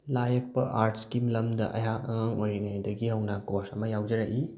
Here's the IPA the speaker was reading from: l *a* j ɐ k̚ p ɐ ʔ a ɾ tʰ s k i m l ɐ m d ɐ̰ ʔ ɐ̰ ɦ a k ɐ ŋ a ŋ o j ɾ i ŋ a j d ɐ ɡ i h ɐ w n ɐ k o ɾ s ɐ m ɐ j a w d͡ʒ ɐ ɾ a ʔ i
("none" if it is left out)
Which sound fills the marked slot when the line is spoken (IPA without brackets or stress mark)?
a